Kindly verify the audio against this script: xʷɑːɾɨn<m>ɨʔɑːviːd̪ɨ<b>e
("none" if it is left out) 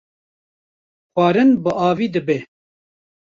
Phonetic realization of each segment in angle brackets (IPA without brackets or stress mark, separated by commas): b, b